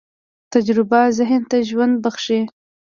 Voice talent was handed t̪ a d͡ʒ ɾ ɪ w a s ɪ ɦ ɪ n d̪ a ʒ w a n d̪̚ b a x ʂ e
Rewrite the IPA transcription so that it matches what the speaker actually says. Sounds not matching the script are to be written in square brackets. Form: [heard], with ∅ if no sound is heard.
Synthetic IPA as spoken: t̪ a d͡ʒ ɾ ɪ [b] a [z] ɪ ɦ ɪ n [t̪] a ʒ w a n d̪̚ b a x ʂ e